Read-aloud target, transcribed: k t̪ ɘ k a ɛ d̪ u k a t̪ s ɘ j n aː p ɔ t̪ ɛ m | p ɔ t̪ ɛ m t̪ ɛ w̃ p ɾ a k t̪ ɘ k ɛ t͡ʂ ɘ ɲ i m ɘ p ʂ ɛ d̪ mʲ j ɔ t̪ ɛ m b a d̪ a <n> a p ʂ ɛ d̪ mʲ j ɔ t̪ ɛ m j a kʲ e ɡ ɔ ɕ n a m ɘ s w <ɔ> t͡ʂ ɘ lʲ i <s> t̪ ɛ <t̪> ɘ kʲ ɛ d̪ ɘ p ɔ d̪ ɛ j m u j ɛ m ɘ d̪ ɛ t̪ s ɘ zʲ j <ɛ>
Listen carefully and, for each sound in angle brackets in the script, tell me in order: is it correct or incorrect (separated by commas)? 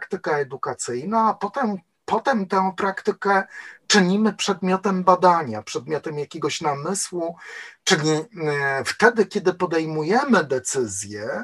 incorrect, incorrect, incorrect, incorrect, correct